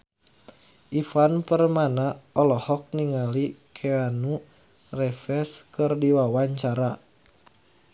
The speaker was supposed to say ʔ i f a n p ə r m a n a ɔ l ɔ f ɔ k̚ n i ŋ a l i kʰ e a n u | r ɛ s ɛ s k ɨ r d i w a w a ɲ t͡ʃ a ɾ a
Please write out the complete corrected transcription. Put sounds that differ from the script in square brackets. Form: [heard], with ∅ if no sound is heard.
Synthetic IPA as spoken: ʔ i f a n p ə r m a n a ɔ l ɔ [h] ɔ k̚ n i ŋ a l i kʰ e a n u | r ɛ [f] ɛ s k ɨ r d i w a w a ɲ t͡ʃ a ɾ a